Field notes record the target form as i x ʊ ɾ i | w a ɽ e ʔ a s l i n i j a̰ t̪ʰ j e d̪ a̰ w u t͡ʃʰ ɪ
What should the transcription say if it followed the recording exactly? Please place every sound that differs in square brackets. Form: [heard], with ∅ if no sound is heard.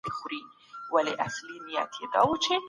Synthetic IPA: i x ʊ ɾ i | w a [l] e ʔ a s l i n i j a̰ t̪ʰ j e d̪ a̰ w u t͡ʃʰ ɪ